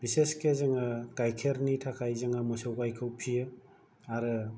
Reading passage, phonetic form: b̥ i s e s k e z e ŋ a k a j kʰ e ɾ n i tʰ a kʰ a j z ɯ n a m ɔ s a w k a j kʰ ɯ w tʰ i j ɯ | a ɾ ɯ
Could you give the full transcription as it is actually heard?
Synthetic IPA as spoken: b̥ i s e s k e z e ŋ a k a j kʰ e ɾ n i tʰ a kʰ a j z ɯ ŋ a m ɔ s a w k a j kʰ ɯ w pʰ i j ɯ | a ɾ ɯ